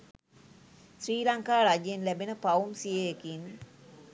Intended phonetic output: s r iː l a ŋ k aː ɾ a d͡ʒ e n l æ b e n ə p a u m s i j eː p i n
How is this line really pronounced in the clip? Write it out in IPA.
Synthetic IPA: s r iː l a ŋ k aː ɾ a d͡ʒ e n l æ b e n ə p a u m s i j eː k i n